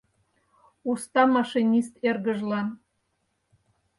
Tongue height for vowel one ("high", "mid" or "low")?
high